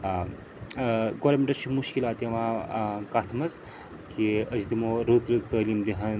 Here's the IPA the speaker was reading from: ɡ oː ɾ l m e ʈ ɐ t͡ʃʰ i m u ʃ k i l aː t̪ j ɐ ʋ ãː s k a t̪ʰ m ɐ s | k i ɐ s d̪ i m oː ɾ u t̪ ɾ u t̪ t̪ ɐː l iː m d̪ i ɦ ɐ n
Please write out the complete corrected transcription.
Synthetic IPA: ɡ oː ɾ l m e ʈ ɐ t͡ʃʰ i m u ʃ k i l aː t̪ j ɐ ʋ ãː k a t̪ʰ m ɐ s | k i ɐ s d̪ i m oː ɾ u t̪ ɾ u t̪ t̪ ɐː l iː m d̪ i ɦ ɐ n

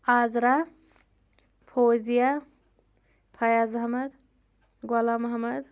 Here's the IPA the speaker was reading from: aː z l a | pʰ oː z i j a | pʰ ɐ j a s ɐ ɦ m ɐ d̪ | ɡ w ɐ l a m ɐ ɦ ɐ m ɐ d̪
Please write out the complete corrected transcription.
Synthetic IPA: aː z ɾ a | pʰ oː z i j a | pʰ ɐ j a z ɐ ɦ m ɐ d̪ | ɡ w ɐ l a m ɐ ɦ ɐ m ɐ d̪

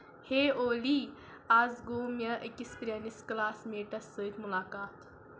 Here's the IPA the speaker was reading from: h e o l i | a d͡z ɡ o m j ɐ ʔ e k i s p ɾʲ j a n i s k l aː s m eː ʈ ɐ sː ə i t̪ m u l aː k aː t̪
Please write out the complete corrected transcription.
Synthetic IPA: h e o l i | a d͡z ɡ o m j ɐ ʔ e k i s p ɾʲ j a n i s k l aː s m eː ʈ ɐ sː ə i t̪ m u l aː k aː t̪

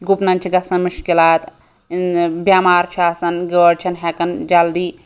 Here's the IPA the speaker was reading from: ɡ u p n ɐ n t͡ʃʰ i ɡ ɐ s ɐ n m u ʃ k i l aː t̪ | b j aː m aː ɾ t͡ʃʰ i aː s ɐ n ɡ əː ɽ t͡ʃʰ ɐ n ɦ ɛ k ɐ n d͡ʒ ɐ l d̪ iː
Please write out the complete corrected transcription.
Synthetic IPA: ɡ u p n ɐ n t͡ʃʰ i ɡ ɐ s ɐ n m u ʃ k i l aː t̪ | b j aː m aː ɾ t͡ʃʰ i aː s ɐ n ɡ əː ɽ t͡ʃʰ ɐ n ɦ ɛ k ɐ n d͡ʒ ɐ l d̪ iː

